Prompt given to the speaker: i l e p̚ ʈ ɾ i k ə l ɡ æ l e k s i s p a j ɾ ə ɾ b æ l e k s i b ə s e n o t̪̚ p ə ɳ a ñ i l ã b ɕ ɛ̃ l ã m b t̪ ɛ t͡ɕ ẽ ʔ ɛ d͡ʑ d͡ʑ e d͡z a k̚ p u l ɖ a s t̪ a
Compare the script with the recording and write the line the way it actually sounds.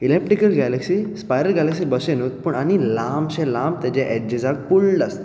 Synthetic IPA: i l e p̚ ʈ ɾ i k ə l ɡ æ l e k s i s p a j ɾ ə ɾ ɡ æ l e k s i b ə s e n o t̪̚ p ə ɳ a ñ i l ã m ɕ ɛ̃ l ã m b t̪ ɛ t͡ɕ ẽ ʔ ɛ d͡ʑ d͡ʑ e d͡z a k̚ p u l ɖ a s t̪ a